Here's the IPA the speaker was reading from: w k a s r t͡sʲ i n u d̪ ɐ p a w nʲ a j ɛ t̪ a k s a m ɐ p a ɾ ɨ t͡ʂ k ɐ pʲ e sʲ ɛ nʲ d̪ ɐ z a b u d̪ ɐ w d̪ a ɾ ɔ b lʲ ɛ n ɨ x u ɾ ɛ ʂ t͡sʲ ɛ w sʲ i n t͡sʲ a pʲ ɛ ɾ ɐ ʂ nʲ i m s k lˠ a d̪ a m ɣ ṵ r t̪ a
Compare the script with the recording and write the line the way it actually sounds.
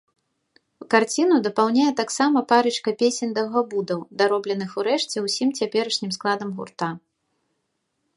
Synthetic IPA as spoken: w k a r t͡sʲ i n u d̪ ɐ p a w nʲ a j ɛ t̪ a k s a m ɐ p a ɾ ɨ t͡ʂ k ɐ pʲ e sʲ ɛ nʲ d̪ ɐ ɣ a b u d̪ ɐ w d̪ a ɾ ɔ b lʲ ɛ n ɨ x u ɾ ɛ ʂ t͡sʲ ɛ w sʲ i m t͡sʲ a pʲ ɛ ɾ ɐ ʂ nʲ i m s k lˠ a d̪ ɐ m ɣ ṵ r t̪ a